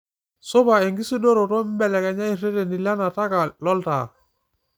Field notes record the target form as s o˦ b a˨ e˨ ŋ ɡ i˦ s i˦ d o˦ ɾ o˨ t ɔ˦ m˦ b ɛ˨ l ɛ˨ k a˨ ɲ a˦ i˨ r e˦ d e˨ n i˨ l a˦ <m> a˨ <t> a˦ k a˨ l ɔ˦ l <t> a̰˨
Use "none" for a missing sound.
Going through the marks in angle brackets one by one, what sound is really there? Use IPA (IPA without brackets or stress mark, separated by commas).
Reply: n, t, t